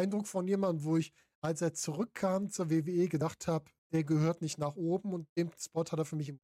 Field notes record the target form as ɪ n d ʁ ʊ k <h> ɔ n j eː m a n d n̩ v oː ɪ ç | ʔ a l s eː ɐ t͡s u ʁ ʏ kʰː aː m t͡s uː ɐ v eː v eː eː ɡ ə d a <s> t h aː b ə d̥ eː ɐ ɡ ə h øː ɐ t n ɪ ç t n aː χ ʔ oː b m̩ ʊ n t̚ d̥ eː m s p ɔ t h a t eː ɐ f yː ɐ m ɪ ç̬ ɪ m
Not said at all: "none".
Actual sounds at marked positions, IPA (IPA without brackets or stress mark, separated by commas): f, χ